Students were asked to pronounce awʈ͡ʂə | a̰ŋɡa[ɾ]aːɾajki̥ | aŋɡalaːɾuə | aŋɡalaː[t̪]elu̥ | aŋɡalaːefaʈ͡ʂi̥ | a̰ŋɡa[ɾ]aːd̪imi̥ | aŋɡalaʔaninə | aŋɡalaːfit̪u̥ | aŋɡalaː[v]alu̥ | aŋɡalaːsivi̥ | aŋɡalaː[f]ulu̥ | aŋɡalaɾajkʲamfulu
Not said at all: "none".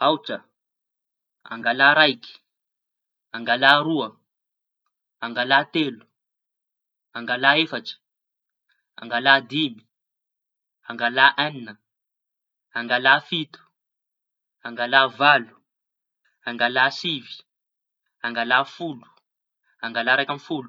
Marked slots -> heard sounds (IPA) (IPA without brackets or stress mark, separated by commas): l, t̪, l, v, f